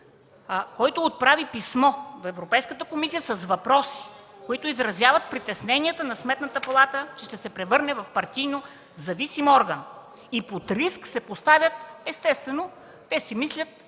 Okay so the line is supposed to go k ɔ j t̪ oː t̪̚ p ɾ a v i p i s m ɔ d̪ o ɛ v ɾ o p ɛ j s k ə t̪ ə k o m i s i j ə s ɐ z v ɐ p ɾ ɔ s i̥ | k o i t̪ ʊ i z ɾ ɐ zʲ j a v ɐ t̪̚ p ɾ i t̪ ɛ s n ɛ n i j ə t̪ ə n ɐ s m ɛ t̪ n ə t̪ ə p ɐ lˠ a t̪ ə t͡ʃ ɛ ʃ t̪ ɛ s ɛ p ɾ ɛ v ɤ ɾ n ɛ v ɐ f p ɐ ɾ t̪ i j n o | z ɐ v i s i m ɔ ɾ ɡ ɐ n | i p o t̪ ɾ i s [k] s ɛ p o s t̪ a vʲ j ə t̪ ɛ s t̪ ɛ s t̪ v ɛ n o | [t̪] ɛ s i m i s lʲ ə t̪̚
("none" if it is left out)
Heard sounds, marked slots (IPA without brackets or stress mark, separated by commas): k, t̪